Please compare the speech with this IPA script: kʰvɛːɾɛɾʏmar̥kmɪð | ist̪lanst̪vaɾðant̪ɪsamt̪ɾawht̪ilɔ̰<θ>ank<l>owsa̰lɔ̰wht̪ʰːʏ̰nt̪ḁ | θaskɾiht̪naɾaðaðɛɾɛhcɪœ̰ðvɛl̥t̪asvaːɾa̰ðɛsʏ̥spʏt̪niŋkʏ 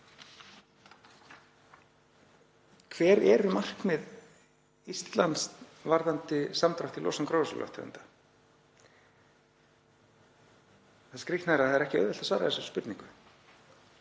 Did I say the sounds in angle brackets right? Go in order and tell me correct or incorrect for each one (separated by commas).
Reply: incorrect, incorrect